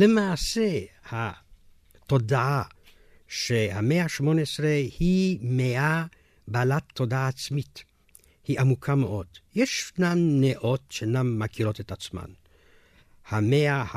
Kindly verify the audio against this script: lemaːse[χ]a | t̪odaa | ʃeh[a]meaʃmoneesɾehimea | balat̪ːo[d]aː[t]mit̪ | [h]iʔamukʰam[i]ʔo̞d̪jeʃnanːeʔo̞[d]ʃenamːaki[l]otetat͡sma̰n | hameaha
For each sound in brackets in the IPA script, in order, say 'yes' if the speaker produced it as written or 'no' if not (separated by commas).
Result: no, yes, yes, no, yes, no, no, no